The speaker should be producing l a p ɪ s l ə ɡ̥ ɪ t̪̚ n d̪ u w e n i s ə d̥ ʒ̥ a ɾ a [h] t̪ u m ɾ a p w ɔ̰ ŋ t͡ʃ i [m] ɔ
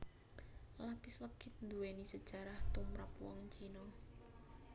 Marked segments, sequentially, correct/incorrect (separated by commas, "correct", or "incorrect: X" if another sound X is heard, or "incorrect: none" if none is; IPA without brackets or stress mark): correct, incorrect: n